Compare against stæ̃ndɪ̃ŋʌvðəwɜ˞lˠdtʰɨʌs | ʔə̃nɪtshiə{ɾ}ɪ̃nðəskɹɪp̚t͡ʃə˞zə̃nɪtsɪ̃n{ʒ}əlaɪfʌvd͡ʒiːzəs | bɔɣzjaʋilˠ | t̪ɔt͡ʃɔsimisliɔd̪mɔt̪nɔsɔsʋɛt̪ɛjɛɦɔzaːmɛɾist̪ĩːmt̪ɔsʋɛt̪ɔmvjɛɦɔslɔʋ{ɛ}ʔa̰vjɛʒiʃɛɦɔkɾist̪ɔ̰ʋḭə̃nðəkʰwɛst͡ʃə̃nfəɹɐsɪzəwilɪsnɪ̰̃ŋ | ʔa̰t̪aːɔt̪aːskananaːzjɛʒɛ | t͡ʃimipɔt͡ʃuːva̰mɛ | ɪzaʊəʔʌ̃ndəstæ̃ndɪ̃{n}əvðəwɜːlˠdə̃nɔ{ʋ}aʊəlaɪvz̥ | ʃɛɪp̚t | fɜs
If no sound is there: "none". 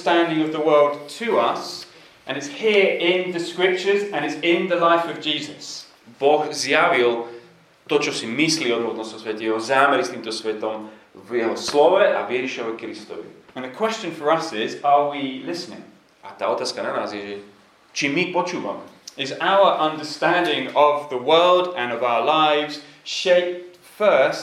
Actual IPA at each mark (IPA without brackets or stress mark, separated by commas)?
ɹ, ð, ɛ, ŋ, v